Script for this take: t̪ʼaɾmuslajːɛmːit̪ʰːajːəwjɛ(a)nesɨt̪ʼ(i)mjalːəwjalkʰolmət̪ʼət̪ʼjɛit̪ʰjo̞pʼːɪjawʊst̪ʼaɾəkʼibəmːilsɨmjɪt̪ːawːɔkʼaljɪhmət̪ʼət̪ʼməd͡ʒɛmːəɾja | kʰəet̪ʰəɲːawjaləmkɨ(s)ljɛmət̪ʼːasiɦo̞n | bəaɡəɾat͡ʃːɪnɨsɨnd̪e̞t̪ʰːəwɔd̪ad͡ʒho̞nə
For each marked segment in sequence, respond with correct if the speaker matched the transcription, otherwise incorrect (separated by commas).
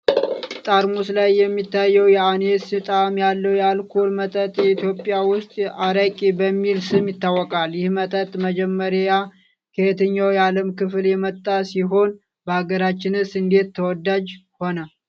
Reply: correct, incorrect, incorrect